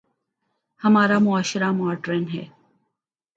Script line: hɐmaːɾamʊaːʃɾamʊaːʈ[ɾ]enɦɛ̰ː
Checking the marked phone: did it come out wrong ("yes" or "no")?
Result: no